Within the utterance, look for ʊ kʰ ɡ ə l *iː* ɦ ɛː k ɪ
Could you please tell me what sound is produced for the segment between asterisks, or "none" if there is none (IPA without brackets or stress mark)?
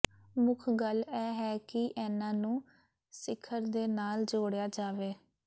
ɛː